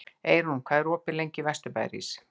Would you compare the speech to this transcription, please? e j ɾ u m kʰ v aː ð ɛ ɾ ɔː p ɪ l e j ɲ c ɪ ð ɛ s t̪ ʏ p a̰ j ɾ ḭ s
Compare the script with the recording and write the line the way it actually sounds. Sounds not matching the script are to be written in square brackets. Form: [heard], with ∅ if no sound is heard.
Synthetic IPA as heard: e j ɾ u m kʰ v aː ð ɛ ɾ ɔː p ɪ l e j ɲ c ɪ [v] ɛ s t̪ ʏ p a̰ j ɾ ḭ s